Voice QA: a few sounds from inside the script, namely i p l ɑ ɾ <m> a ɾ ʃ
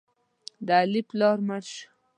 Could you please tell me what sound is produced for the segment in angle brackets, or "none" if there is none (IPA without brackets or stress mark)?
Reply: m